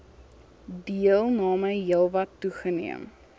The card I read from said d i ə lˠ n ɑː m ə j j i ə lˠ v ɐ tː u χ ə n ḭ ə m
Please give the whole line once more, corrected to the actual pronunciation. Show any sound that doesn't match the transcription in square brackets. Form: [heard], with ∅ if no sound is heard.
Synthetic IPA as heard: d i ə lˠ n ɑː m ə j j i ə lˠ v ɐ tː u χ ə n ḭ ə m